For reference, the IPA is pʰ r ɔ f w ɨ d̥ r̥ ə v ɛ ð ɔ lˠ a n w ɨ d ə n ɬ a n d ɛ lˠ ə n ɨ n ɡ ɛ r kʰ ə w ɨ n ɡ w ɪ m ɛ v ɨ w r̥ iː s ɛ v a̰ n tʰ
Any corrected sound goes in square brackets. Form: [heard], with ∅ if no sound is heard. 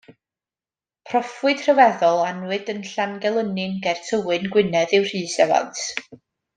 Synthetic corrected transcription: pʰ r ɔ f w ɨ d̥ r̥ ə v ɛ ð ɔ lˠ a n w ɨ d ə n ɬ a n [ɡ] ɛ lˠ ə n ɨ n ɡ ɛ r [tʰ] ə w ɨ n ɡ w ɪ [n] ɛ [ð] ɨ w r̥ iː s ɛ v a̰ n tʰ